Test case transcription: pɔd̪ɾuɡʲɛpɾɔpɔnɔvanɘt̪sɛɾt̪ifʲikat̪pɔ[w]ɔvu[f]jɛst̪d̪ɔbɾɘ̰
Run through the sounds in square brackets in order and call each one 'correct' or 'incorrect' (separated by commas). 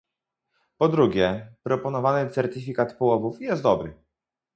correct, correct